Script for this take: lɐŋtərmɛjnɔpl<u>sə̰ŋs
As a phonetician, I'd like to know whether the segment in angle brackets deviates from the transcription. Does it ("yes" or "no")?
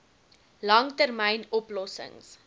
yes